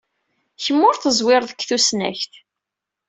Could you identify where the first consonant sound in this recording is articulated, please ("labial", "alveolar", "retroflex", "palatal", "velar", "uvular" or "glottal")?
palatal